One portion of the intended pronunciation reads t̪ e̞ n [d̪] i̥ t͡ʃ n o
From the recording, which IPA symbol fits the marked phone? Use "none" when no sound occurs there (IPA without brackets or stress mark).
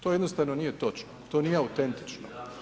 t̪